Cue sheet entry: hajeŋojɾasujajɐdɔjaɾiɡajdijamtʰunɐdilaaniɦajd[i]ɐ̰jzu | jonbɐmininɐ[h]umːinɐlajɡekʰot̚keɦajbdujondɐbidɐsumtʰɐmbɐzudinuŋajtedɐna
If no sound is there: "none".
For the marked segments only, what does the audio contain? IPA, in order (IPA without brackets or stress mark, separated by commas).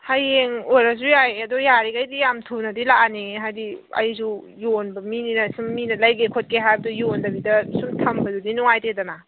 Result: i, s